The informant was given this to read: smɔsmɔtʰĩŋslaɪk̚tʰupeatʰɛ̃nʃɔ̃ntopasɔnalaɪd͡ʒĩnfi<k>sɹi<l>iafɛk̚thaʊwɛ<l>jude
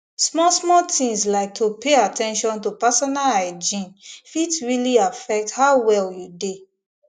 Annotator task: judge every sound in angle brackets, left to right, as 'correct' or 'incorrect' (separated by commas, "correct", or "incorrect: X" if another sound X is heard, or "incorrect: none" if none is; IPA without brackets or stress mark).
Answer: incorrect: t, correct, correct